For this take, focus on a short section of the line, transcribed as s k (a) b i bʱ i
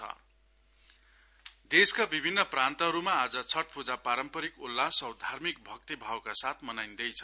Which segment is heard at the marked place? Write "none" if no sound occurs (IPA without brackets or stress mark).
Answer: a